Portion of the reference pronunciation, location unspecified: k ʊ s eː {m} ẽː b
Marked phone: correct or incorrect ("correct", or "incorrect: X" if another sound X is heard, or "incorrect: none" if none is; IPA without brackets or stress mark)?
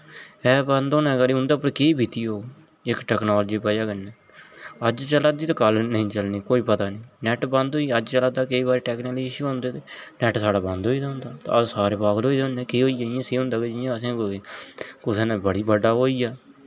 incorrect: n